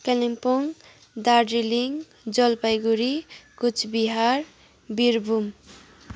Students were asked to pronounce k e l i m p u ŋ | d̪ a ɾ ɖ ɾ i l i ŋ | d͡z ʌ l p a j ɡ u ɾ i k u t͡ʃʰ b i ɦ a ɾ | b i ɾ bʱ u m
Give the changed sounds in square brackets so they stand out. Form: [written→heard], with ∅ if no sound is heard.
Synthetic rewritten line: k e l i m p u ŋ | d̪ a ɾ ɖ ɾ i l i ŋ | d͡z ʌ l p a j ɡ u ɾ i k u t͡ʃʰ b i ɦ a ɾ | b i ɾ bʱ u m

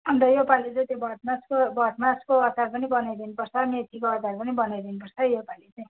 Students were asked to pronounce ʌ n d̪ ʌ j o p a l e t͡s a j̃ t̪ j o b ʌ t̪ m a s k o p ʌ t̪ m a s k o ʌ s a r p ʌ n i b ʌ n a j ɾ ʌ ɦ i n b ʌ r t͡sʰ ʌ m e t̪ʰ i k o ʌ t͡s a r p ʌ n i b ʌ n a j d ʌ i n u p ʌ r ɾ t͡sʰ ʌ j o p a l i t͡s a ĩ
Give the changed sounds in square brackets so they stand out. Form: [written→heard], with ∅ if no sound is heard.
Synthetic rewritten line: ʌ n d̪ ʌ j o p a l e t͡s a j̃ t̪ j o b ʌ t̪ m a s k o [p→b] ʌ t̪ m a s k o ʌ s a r p ʌ n i b ʌ n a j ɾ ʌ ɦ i n [b→p] ʌ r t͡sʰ ʌ m e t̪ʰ i k o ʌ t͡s a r p ʌ n i b ʌ n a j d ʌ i n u p ʌ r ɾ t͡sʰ ʌ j o p a l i t͡s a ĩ

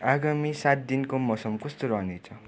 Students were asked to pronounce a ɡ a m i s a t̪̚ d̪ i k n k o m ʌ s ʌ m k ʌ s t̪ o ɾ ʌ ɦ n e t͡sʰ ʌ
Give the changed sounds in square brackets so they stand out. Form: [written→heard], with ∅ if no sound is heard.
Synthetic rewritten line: a ɡ a m i s a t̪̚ d̪ i [k→∅] n k o m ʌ s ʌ m k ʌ s t̪ o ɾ ʌ ɦ n e t͡sʰ ʌ

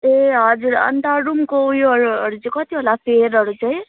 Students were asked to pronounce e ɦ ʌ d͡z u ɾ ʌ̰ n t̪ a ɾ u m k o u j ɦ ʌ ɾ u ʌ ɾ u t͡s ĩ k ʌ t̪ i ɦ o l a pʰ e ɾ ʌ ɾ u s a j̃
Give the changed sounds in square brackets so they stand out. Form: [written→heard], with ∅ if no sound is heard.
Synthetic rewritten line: e ɦ ʌ d͡z u ɾ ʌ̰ n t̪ a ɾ u m k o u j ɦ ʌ ɾ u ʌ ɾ u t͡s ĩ k ʌ t̪ i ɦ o l a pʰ e ɾ ʌ ɾ u [s→t͡s] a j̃

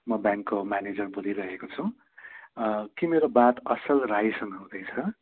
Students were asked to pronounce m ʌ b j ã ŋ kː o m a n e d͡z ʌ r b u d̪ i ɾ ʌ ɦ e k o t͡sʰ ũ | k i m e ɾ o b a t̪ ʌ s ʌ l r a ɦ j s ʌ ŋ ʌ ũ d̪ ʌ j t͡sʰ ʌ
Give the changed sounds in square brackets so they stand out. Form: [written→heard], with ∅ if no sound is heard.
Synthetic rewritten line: m ʌ b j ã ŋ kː o m a n e d͡z ʌ r b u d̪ i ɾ ʌ ɦ e k o t͡sʰ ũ | k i m e ɾ o b a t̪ ʌ s ʌ l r a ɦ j s ʌ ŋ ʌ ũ d̪ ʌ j t͡sʰ ʌ

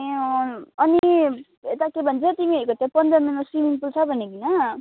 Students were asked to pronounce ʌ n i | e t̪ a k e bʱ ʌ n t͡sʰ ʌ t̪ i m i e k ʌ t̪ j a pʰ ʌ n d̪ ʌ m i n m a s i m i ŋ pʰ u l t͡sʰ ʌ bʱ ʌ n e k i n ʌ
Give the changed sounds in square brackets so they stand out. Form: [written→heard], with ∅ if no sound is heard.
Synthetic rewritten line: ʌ n i | e t̪ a k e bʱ ʌ n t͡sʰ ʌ t̪ i m i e k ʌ t̪ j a [pʰ→p] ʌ n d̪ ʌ m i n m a s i m i ŋ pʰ u l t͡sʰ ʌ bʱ ʌ n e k i n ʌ

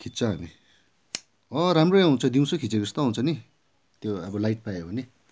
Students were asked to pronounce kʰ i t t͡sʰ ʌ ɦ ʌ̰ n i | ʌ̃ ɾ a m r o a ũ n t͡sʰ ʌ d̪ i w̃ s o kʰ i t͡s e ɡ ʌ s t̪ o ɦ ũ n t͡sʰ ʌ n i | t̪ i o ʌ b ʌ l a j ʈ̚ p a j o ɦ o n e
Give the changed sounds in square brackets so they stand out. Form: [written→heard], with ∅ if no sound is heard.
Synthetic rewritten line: kʰ i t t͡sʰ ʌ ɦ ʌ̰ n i | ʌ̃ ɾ a m r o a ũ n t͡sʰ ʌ d̪ i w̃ s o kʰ i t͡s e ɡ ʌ s t̪ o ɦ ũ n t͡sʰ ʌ n i | t̪ [i→j] o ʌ b ʌ l a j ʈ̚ p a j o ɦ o n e

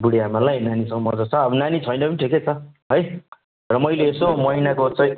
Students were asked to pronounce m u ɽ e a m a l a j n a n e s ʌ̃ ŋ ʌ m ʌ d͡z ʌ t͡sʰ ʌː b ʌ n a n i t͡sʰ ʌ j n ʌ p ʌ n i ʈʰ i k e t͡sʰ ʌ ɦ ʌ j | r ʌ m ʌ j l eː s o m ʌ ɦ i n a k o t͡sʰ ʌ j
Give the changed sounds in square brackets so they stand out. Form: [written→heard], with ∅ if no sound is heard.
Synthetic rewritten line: [m→b] u ɽ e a m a l a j n a n [e→i] s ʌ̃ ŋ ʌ m ʌ d͡z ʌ t͡sʰ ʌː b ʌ n a n i t͡sʰ ʌ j n ʌ p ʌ n i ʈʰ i k e t͡sʰ ʌ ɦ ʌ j | r ʌ m ʌ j l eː s o m ʌ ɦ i n a k o [t͡sʰ→t͡s] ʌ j

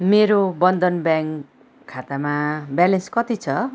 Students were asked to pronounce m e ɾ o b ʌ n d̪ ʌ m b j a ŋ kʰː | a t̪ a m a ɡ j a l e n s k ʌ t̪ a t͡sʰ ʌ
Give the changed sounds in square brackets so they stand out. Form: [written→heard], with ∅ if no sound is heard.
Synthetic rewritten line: m e ɾ o b ʌ n d̪ ʌ [m→n] b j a ŋ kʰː | a t̪ a m a [ɡ→b] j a l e n s k ʌ t̪ [a→i] t͡sʰ ʌ

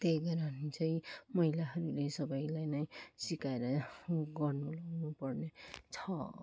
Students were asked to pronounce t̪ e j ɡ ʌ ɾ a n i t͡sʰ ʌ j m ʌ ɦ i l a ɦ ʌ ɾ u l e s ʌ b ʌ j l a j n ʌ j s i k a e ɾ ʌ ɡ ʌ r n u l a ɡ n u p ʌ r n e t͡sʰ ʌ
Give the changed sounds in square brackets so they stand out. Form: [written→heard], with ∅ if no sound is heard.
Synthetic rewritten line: t̪ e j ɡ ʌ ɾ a n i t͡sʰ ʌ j m ʌ ɦ i l a ɦ ʌ ɾ u l e s ʌ b ʌ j l a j n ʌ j s i k a e ɾ ʌ ɡ ʌ r n u l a ɡ n u p ʌ r n e t͡sʰ ʌ

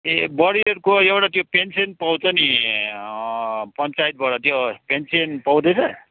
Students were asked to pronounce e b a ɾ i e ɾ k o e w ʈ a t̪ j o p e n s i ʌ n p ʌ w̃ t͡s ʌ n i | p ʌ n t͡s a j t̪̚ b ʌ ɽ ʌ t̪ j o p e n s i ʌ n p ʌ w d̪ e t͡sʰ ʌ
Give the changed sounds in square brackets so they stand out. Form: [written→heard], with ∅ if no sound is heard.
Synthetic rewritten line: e b [a→ʌ] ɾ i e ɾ k o e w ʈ a t̪ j o p e n s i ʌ n p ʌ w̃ t͡s ʌ n i | p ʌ n t͡s a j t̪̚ b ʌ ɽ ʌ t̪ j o p e n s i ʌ n p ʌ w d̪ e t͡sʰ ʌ

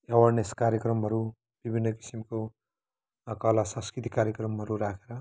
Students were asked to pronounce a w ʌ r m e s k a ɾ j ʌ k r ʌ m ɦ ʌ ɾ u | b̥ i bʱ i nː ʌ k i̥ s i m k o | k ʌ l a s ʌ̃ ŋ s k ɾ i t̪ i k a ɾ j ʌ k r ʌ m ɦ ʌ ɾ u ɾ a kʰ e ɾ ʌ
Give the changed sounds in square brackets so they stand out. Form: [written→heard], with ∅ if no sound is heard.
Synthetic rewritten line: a w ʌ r [m→n] e s k a ɾ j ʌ k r ʌ m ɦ ʌ ɾ u | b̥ i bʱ i nː ʌ k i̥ s i m k o | k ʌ l a s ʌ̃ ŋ s k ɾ i t̪ i k a ɾ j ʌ k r ʌ m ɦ ʌ ɾ u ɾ a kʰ e ɾ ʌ

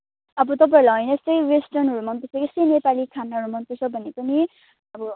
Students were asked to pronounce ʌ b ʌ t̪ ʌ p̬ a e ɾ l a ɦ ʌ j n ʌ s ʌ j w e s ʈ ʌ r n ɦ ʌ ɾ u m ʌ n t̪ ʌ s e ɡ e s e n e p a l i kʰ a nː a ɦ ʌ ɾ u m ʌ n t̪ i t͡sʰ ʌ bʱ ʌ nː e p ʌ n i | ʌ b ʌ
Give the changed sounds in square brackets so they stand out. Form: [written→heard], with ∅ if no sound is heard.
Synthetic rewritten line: ʌ b ʌ t̪ ʌ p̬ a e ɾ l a ɦ ʌ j n ʌ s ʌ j w e s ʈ ʌ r n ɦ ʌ ɾ u m ʌ n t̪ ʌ s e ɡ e s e n e p a l i kʰ a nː a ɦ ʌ ɾ u m ʌ n t̪ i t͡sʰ ʌ bʱ ʌ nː e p ʌ n i | ʌ b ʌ

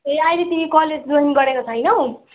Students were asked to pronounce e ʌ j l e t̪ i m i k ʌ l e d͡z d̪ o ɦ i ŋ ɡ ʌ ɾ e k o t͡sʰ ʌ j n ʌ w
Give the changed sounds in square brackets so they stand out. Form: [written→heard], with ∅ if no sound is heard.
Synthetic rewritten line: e [ʌ→a] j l e t̪ i m i k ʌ l e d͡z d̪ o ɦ i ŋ ɡ ʌ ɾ e k o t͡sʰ ʌ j n ʌ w

